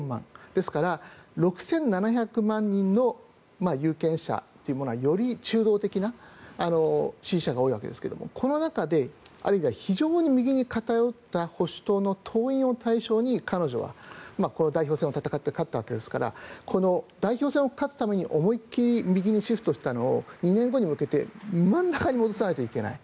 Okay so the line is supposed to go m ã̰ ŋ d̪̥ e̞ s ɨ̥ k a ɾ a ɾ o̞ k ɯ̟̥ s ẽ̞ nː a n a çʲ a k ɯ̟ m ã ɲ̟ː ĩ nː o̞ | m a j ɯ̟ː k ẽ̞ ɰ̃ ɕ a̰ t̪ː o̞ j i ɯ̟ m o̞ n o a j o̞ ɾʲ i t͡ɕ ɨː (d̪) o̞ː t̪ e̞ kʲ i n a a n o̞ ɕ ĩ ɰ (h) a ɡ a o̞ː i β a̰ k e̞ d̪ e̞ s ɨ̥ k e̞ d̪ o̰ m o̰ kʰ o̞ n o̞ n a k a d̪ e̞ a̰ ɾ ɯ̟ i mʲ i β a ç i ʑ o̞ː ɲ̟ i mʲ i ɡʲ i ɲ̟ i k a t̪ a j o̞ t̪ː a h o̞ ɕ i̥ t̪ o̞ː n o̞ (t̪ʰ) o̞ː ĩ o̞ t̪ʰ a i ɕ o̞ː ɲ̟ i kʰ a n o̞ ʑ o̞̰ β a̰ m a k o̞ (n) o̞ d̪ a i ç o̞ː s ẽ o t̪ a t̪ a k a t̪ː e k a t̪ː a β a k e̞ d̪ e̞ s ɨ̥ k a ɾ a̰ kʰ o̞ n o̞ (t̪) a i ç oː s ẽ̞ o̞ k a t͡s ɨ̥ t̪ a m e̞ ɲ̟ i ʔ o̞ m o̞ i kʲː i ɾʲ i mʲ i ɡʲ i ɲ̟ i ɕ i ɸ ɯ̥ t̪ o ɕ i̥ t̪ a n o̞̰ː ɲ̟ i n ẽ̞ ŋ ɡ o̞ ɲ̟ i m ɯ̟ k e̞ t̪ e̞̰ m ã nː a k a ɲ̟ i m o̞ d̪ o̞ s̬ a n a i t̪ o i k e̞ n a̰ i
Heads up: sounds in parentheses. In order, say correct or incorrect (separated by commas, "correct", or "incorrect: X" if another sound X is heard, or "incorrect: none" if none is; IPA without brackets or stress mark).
correct, incorrect: ɕ, correct, correct, incorrect: d̪